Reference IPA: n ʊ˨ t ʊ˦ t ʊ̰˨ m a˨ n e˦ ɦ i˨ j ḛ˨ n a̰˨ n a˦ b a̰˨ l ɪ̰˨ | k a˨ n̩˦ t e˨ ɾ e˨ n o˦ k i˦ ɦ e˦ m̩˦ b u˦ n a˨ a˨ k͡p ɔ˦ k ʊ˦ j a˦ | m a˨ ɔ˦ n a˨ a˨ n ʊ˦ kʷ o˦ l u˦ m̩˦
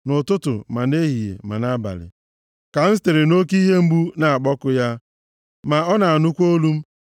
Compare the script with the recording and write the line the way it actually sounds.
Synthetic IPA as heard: n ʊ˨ t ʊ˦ t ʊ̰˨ m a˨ n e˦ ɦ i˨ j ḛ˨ m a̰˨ n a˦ b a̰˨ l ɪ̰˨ | k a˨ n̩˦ t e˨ ɾ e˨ n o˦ k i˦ ɦ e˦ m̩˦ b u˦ n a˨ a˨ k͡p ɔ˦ k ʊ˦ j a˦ | m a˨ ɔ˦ n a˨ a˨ n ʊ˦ kʷ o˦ l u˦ m̩˦